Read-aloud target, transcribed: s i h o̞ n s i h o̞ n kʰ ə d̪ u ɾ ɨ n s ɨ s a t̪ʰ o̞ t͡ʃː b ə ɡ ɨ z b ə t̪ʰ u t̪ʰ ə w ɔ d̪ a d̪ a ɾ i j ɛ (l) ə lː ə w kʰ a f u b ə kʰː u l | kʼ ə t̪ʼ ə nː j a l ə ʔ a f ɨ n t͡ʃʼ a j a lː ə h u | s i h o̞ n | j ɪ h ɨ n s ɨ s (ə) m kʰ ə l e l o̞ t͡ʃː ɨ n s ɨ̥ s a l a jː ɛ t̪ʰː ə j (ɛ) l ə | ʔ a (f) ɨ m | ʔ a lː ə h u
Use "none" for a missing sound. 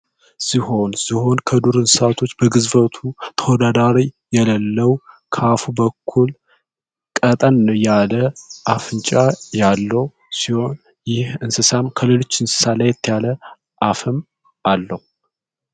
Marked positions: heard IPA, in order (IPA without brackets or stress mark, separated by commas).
l, a, a, f